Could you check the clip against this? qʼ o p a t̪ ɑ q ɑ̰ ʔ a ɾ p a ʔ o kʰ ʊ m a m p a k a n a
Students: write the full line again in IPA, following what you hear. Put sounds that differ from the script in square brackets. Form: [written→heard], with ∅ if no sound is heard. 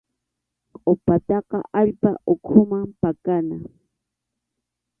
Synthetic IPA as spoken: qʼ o p a t̪ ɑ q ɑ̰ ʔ a [ɾ→ʎ] p a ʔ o kʰ ʊ m a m p a k a n a